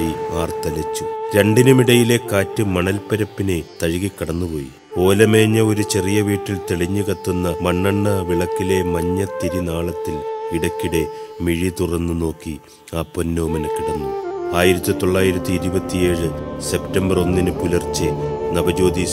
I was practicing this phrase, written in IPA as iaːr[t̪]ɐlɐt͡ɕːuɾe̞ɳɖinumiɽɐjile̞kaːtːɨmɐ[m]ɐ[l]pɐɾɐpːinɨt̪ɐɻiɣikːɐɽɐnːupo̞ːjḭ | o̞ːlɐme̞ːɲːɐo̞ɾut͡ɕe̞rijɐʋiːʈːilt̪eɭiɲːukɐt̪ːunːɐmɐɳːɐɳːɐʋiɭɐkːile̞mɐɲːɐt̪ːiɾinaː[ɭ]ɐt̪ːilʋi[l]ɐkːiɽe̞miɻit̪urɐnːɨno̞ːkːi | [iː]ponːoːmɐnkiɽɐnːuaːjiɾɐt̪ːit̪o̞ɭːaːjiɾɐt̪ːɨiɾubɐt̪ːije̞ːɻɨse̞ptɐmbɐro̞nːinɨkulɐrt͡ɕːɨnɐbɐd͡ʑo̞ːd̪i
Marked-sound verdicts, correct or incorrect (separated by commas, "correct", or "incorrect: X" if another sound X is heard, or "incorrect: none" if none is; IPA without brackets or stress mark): correct, incorrect: ɳ, correct, correct, incorrect: ɽ, incorrect: aː